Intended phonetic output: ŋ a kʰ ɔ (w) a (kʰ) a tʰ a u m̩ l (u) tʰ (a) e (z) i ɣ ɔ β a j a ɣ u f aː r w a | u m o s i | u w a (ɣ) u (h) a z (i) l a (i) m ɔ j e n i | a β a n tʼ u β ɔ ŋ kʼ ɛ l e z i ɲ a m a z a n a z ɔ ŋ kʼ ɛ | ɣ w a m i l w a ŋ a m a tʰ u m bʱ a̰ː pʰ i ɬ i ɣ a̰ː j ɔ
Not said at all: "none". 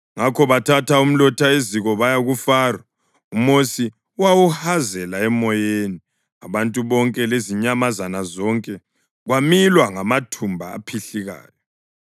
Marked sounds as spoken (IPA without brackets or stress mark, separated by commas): β, tʰ, ɔ, a, z, w, h, ɛ, ɛ